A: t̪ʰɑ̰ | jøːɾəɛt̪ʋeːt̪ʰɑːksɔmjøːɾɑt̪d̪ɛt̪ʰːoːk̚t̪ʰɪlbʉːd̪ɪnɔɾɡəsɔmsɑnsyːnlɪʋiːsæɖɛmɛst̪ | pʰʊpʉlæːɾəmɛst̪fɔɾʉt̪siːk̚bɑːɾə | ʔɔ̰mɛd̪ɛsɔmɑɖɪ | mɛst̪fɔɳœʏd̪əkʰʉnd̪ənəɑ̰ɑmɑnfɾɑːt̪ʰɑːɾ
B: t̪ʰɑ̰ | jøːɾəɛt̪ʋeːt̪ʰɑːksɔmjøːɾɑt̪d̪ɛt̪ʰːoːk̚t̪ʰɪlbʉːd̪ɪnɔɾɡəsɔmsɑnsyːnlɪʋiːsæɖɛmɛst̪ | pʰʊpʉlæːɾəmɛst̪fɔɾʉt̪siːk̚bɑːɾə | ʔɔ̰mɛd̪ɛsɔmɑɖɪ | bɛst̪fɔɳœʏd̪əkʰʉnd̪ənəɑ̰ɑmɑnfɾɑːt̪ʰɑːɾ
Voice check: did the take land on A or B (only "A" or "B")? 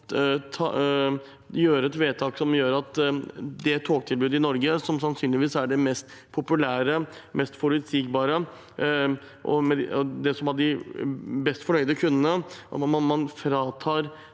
B